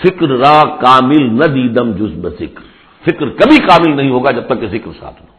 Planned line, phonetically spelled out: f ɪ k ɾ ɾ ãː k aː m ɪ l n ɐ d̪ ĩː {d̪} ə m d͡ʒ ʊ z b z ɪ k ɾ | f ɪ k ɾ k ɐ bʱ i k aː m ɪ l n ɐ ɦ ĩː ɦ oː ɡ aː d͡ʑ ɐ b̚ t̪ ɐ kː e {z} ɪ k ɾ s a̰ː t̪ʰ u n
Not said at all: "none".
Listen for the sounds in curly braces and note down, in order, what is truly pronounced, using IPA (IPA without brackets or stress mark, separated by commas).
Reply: d̪, z